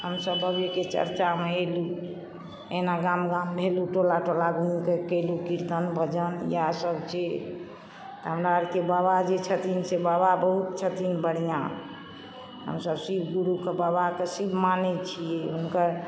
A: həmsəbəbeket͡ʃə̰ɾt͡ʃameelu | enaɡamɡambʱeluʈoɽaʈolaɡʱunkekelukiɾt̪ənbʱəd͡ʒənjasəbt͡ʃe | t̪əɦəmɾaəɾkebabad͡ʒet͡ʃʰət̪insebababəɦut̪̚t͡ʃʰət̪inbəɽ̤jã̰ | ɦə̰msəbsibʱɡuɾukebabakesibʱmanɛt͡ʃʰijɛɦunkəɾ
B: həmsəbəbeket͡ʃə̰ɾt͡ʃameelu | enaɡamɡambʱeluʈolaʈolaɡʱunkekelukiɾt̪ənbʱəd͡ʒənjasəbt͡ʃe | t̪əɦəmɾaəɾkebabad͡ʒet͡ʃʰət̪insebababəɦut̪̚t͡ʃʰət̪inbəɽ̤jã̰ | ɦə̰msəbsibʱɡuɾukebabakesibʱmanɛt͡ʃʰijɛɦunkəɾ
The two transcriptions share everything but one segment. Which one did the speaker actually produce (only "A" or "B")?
B